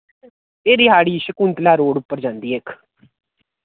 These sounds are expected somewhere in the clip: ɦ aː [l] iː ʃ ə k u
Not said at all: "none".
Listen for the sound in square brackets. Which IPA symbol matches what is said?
ɽ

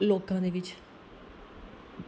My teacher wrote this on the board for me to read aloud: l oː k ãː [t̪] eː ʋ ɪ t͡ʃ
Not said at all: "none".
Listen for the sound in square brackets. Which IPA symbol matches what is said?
d̪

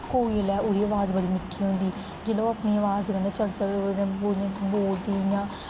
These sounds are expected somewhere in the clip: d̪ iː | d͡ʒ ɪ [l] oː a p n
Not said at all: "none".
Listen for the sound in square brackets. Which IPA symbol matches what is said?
l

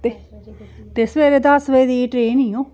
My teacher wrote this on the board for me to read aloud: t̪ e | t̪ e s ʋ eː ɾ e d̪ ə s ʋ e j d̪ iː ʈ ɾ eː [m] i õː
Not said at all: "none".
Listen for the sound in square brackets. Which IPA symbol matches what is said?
n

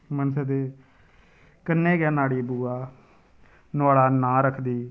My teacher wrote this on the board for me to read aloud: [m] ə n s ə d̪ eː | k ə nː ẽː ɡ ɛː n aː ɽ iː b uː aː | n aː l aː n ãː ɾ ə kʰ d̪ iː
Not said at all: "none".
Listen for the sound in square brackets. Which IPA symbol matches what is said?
m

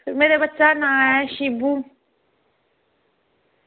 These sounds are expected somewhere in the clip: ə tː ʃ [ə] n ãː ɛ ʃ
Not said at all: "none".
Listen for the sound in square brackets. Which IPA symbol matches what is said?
a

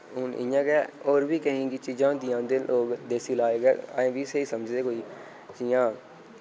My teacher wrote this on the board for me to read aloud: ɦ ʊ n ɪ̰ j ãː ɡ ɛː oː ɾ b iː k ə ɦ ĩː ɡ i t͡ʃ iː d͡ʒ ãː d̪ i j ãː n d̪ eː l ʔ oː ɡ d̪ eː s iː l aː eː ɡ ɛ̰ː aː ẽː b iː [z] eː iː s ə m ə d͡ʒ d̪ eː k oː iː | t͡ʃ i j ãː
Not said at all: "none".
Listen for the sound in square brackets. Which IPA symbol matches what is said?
s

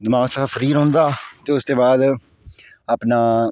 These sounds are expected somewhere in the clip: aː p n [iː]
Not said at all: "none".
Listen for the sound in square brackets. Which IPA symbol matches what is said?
aː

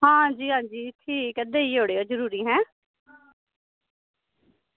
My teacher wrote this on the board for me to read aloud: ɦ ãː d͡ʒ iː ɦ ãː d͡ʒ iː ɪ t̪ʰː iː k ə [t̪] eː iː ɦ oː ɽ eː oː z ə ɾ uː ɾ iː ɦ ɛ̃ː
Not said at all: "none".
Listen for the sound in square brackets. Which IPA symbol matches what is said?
d̪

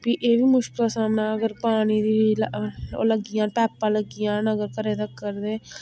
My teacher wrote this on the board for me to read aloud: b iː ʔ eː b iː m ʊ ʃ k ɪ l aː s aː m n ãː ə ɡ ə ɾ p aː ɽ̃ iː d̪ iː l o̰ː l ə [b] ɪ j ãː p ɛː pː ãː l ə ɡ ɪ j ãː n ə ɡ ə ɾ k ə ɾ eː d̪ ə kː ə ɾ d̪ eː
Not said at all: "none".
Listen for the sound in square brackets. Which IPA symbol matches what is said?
ɡ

